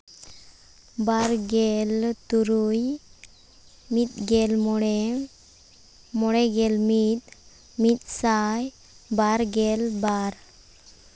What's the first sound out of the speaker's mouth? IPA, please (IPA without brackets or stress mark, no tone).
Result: b